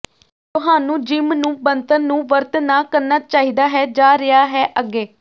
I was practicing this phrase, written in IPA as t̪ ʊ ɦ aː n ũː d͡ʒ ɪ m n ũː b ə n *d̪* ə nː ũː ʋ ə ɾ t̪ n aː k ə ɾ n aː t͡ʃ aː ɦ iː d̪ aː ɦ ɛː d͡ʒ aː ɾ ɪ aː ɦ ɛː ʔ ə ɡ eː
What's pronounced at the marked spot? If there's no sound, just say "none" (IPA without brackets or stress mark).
t̪